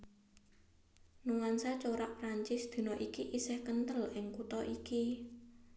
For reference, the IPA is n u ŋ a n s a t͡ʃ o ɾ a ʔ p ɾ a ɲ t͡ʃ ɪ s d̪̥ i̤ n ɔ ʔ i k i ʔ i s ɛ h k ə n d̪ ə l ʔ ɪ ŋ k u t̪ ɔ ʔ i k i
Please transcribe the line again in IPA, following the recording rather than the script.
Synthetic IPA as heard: n u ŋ a n s a t͡ʃ o ɾ a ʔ p ɾ a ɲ t͡ʃ ɪ s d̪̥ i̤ n ɔ ʔ i k i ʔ i s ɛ h k ə n t̪ ə l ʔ ɪ ŋ k u t̪ ɔ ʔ i k i